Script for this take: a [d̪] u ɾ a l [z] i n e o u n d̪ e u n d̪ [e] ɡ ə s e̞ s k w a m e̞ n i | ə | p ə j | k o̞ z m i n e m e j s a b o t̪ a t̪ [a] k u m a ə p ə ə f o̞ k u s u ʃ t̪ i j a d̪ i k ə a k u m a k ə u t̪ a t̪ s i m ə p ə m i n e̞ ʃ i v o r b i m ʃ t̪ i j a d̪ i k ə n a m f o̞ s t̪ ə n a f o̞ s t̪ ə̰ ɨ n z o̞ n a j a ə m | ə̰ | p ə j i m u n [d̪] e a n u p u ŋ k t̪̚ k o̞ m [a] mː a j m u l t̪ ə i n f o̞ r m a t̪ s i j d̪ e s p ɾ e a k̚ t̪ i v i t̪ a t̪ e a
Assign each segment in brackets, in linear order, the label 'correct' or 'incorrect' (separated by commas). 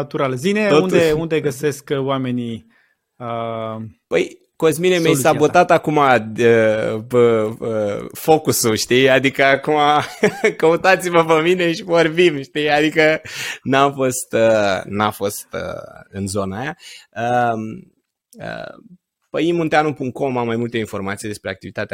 incorrect, correct, correct, correct, incorrect, correct